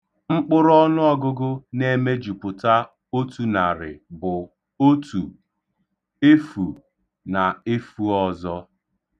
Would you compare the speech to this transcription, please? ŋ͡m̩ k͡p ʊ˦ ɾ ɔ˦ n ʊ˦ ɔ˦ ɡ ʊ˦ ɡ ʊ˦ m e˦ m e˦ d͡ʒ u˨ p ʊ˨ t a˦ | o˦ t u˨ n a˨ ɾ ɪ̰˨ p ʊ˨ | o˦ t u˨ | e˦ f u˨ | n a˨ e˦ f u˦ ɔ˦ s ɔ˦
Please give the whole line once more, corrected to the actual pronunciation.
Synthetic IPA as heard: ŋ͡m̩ k͡p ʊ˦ ɾ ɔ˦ n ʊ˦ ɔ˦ ɡ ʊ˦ ɡ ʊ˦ n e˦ m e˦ d͡ʒ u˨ p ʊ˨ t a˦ | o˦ t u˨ n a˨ ɾ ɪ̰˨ b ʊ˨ | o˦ t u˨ | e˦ f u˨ | n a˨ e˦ f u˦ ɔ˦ z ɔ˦